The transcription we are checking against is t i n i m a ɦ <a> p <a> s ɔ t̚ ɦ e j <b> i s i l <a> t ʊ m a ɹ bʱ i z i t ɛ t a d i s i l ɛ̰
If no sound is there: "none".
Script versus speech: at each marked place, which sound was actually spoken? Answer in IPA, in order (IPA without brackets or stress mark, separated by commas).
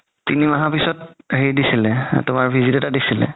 a, i, d, ɛ